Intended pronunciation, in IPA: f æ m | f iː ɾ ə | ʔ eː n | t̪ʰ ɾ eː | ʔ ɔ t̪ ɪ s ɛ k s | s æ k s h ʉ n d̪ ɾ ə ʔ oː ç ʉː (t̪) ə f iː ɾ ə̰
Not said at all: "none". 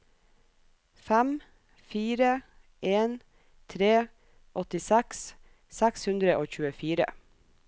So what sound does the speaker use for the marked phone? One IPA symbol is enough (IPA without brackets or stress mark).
none